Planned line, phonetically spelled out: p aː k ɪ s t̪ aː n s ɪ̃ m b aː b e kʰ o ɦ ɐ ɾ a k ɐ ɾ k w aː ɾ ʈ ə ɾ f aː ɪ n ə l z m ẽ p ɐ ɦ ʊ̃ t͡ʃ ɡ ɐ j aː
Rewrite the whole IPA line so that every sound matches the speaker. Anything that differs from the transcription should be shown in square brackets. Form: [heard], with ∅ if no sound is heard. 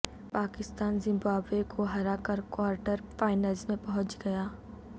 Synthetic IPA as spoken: p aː k ɪ s t̪ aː n [z] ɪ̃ m b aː b e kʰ o ɦ ɐ ɾ a k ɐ ɾ k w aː ɾ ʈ ə ɾ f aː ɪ n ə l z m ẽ p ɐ ɦ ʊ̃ t͡ʃ ɡ ɐ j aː